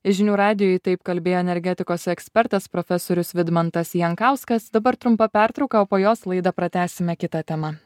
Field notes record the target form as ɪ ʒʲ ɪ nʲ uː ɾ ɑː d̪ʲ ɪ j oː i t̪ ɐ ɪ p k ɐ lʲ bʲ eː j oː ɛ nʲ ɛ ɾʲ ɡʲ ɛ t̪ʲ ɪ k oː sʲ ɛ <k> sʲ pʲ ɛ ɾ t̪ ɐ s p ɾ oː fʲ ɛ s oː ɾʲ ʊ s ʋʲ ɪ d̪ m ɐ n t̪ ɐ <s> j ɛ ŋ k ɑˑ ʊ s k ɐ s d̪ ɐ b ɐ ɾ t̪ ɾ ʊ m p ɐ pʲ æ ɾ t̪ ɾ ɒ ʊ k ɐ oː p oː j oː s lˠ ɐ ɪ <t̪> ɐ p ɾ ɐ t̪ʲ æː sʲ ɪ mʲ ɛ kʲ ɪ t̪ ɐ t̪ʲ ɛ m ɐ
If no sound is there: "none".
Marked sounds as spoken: k, s, d̪

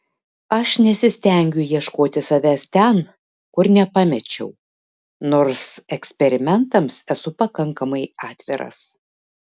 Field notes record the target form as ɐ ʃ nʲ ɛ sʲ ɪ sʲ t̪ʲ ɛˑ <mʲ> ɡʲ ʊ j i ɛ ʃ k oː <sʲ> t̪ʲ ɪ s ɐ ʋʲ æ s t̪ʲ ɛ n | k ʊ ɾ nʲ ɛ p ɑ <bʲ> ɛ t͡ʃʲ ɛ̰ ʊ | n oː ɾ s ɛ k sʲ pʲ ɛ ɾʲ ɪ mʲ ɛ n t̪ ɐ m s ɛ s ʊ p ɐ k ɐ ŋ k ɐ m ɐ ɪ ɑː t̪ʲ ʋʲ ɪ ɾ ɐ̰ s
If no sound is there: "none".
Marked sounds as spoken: ŋʲ, none, mʲ

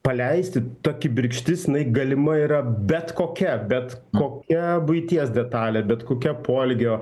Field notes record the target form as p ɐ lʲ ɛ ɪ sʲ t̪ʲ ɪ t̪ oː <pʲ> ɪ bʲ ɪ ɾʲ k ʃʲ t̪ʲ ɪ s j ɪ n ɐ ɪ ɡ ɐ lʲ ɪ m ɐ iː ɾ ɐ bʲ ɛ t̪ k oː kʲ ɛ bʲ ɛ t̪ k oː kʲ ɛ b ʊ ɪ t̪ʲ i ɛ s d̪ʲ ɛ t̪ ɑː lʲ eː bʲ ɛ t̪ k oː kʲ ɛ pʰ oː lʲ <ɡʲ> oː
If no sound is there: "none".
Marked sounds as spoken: kʲ, ɡʲ

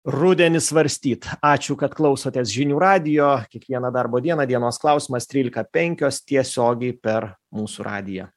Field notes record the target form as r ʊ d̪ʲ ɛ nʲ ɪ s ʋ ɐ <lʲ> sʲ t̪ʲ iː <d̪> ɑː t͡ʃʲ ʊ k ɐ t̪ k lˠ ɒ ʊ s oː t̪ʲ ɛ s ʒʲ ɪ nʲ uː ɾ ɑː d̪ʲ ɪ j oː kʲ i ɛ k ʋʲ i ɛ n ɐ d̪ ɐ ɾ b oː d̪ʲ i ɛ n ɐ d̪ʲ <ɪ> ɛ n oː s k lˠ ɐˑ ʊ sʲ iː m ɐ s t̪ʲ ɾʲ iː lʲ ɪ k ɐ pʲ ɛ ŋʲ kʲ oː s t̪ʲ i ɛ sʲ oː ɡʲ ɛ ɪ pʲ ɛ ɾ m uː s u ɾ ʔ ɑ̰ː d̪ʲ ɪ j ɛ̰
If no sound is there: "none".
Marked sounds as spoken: ɾʲ, t̪, i

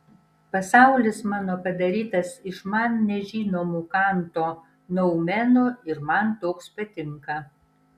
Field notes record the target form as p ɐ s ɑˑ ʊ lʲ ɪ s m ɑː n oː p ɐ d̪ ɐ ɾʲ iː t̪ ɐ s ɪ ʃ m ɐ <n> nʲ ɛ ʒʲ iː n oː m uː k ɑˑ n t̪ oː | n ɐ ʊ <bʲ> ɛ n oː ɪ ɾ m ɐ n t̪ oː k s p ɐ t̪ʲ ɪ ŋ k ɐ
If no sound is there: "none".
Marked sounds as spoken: n, mʲ

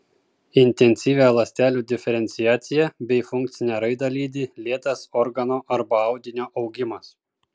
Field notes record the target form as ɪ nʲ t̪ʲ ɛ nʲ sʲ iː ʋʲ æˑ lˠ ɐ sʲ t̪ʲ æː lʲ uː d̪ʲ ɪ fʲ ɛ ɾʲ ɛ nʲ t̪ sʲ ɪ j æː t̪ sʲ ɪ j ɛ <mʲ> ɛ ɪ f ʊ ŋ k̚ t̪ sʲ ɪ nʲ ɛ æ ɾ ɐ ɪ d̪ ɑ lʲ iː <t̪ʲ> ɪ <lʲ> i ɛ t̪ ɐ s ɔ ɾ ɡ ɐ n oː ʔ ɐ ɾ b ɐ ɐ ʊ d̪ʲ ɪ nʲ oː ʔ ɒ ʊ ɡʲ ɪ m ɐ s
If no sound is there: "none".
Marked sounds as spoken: bʲ, d̪ʲ, lʲ

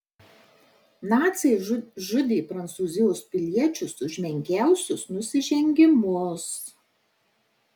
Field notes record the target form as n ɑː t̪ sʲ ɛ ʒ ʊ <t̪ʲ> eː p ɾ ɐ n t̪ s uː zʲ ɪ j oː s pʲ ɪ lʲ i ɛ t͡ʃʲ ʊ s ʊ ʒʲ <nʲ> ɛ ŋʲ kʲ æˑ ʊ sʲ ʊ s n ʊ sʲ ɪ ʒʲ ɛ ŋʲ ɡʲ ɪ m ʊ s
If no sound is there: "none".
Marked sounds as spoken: d̪ʲ, mʲ

